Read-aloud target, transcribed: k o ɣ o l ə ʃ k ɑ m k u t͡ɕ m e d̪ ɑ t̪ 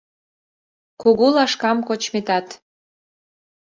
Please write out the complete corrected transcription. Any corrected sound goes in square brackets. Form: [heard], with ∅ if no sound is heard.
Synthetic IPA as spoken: k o ɣ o l [ɑ] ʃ k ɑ m k [o] t͡ɕ m e [t̪] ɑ t̪

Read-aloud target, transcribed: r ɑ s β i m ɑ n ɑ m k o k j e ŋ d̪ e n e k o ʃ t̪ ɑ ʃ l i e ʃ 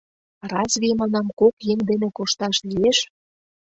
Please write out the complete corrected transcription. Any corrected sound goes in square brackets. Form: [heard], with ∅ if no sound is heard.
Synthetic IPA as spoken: r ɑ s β i m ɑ n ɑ m k o k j e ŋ d̪ e n e k o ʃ t̪ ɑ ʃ l i e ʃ

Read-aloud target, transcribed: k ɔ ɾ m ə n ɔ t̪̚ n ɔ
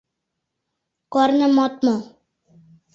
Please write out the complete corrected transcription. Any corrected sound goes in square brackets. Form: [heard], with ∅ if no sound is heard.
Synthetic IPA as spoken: k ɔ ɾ [n] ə [m] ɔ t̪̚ [m] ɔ

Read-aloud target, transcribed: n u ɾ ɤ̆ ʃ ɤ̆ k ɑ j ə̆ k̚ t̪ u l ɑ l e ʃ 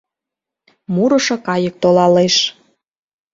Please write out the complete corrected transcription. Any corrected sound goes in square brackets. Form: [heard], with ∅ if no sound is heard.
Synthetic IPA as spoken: [m] u ɾ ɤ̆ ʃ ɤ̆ k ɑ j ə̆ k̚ t̪ [o] l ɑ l e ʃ

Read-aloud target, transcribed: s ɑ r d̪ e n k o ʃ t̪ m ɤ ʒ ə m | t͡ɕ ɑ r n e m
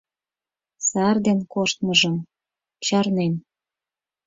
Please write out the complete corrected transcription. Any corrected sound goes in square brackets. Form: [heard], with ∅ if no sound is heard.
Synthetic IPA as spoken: s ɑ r d̪ e n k o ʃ t̪ m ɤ ʒ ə m | t͡ɕ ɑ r n e [n]

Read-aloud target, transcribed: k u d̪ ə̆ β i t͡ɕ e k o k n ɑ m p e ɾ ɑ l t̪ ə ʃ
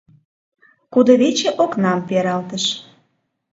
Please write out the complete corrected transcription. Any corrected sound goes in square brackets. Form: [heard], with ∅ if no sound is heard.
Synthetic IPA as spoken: k u d̪ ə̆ β [e] t͡ɕ e [ʔ] o k n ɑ m p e ɾ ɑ l t̪ ə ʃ

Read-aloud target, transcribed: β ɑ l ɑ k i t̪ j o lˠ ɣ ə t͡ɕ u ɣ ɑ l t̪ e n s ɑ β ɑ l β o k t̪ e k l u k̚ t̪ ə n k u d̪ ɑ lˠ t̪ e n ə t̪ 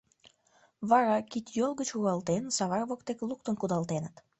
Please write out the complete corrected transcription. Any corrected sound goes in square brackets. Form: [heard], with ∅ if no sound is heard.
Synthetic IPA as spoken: β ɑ [ɾ] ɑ k i t̪ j o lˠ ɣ ə t͡ɕ u ɣ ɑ l t̪ e n s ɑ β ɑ [r] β o k t̪ e k l u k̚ t̪ ə n k u d̪ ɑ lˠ t̪ e n ə t̪

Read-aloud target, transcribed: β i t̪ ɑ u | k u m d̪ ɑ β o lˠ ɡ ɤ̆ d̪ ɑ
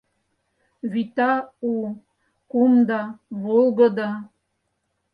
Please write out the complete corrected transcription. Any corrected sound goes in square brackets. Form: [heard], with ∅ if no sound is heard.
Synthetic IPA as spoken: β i t̪ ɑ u | k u m d̪ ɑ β o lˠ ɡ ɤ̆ d̪ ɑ

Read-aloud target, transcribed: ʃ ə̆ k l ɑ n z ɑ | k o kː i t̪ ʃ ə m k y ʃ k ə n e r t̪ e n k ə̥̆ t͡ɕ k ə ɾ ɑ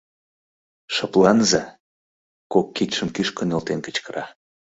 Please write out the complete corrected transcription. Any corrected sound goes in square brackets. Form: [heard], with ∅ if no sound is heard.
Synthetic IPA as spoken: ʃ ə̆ [p] l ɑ n z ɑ | k o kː i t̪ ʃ ə m k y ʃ k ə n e [l] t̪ e n k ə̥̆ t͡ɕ k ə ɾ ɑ

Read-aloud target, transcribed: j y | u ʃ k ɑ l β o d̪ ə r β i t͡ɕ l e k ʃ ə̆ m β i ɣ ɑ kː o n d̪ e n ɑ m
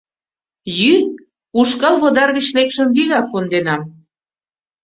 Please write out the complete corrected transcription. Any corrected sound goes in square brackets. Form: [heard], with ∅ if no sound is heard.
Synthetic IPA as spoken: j y | u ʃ k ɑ l β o d̪ [ɑ] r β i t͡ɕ l e k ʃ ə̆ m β i ɣ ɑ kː o n d̪ e n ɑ m

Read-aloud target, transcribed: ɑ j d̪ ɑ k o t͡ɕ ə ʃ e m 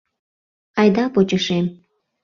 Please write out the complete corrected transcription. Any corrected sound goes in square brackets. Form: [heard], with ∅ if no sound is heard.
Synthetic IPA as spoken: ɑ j d̪ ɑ [p] o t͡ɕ ə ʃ e m

